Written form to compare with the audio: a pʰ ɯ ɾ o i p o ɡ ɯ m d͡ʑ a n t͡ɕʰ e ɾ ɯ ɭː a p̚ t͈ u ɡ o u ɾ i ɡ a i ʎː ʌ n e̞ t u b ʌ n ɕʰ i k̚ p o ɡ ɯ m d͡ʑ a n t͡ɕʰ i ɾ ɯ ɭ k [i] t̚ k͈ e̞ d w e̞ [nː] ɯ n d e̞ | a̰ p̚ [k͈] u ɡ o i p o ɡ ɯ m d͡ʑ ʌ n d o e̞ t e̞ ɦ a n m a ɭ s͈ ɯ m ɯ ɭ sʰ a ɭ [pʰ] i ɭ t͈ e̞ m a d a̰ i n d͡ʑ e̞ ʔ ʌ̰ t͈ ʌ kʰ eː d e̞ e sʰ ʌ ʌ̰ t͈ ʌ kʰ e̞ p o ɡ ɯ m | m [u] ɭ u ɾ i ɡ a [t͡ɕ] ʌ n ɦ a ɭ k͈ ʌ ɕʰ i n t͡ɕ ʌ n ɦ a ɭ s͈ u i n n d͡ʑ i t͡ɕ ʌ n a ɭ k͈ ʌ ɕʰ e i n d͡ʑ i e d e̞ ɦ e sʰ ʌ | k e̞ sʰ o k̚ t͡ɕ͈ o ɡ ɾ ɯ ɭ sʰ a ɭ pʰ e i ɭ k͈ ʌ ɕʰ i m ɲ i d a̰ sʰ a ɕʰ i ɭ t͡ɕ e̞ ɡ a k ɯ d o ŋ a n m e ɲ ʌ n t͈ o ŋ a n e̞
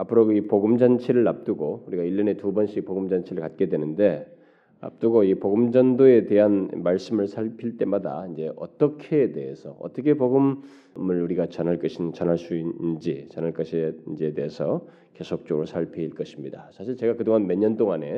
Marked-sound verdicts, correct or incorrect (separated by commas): incorrect, incorrect, incorrect, correct, incorrect, correct